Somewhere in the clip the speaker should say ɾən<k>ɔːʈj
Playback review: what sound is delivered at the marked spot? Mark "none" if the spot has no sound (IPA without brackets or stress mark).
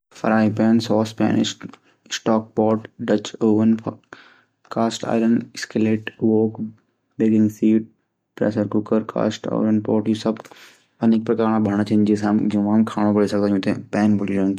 p